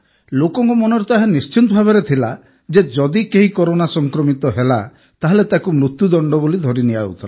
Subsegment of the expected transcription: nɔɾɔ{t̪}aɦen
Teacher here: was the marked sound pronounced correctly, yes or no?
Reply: yes